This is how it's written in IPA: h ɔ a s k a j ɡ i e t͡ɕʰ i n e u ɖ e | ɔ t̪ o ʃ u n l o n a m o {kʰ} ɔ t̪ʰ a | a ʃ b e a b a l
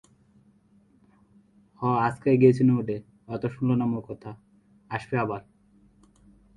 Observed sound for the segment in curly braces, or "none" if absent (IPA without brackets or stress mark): k